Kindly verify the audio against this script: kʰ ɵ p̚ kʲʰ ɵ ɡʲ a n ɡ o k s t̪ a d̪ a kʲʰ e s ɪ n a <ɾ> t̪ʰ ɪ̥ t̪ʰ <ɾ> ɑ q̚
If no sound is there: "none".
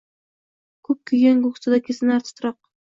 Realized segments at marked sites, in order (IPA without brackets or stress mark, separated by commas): ɾ, ɾ